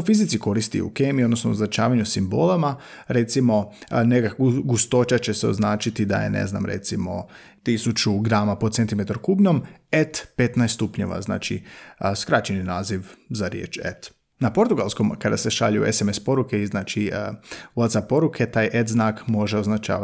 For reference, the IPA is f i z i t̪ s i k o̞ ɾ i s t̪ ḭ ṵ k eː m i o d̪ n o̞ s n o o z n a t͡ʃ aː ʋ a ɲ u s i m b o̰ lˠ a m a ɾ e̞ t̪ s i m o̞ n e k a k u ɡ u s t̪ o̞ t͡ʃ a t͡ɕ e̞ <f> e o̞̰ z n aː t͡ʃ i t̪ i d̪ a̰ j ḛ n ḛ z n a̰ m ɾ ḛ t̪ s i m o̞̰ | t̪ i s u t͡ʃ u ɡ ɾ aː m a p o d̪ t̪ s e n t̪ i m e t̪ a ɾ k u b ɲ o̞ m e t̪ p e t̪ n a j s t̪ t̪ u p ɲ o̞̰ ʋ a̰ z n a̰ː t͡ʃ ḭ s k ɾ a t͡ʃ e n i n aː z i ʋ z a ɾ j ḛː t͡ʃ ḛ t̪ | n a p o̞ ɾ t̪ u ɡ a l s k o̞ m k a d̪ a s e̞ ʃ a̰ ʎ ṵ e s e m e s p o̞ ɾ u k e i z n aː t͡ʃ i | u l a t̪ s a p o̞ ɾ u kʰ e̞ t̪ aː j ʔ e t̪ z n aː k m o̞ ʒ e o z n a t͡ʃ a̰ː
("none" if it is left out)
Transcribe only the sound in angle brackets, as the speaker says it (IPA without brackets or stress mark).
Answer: s